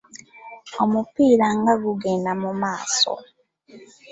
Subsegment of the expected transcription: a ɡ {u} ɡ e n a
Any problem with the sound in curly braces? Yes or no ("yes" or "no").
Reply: no